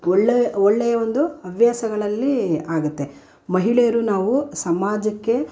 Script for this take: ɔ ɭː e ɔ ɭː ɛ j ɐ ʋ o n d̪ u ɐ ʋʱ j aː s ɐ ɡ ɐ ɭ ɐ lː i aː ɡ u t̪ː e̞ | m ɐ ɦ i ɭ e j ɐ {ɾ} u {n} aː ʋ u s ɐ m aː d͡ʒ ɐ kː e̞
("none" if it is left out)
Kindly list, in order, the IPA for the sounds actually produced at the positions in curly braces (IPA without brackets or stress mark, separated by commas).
ɾ, n